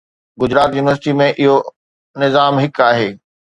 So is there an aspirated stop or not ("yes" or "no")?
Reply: no